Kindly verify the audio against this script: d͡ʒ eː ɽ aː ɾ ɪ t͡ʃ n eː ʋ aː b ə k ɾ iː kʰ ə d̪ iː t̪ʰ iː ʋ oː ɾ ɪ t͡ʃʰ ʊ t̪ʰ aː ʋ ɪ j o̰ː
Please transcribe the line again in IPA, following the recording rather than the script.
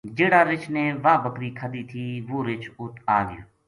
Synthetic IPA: d͡ʒ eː ɽ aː ɾ ɪ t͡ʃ n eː ʋ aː b ə k ɾ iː kʰ ə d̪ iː t̪ʰ iː ʋ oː ɾ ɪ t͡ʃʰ ʊ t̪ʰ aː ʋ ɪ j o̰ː